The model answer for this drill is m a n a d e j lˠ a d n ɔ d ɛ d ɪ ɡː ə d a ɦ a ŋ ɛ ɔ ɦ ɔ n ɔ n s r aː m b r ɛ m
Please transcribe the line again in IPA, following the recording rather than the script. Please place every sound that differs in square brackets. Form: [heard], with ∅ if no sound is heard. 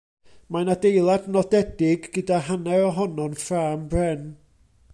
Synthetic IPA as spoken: m a n a d e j lˠ a d n ɔ d ɛ d ɪ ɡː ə d a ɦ a [n] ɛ ɔ ɦ ɔ n ɔ n [f] r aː m b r ɛ [n]